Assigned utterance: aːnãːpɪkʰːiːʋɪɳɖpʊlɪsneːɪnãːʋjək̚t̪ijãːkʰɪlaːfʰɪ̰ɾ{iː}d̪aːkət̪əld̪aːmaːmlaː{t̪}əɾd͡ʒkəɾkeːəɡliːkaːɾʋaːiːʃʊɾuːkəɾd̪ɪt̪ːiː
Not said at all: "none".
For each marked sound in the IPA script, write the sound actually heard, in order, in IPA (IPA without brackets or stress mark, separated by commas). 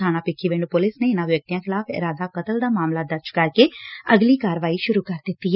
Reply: aː, d̪